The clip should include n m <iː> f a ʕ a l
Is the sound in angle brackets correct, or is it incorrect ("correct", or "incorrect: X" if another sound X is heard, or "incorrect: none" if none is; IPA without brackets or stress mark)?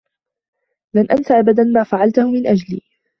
incorrect: aː